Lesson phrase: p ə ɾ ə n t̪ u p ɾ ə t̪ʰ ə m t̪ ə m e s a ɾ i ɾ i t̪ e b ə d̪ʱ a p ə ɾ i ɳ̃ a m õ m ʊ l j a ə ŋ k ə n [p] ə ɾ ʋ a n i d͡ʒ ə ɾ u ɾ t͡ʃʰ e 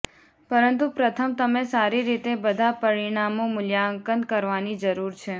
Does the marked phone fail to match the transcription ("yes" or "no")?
yes